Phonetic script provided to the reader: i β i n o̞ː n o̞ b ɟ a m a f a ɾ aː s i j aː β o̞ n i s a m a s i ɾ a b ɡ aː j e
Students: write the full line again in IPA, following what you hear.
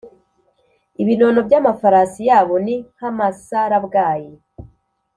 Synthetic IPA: i β i n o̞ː n o̞ b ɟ a m a f a ɾ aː s i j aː β o̞ n i h a m a s a ɾ a b ɡ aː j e

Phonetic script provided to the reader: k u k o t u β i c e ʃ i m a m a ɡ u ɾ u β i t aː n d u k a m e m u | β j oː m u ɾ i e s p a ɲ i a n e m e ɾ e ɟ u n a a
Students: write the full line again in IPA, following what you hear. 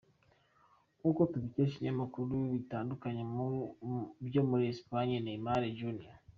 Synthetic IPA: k u k o t u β i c e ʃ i ɲ a m a k u ɾ u β i t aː n d u k a ɲ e m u | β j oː m u ɾ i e s p a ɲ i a n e m a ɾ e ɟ u n i a

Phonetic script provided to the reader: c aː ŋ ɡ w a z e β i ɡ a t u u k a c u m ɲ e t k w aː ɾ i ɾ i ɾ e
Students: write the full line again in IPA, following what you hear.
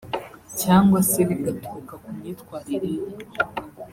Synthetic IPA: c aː ŋ ɡ w a s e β i ɡ a t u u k a k u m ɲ i t k w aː ɾ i ɾ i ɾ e

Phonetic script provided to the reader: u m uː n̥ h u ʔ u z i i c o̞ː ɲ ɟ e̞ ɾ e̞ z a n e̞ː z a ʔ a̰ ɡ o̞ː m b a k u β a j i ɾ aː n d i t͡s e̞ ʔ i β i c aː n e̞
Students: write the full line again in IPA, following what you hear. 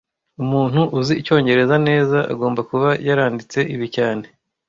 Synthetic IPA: u m uː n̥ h u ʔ u z i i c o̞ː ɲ ɟ e̞ ɾ e̞ z a n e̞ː z a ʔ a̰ ɡ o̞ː m b a k u β a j a ɾ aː n d i t͡s e̞ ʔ i β i c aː n e̞

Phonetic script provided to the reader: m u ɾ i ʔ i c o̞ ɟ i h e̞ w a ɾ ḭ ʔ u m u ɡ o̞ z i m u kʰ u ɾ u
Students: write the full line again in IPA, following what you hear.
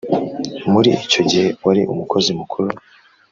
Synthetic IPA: m u ɾ i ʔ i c o̞ ɟ i h e̞ w a ɾ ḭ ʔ u m u k o̞ z i m u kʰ u ɾ u

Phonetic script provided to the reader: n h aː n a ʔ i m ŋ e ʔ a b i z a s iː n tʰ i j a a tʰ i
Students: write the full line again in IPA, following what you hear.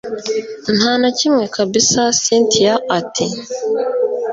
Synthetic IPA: n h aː n a c i m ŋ e k a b i s a s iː n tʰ i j a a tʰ i

